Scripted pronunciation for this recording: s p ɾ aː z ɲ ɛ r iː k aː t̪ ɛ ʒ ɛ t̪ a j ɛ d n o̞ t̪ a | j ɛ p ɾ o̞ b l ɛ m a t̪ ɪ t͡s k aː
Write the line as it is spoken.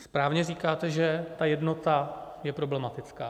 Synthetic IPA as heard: s p ɾ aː v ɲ ɛ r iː k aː t̪ ɛ ʒ ɛ t̪ a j ɛ d n o̞ t̪ a | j ɛ p ɾ o̞ b l ɛ m a t̪ ɪ t͡s k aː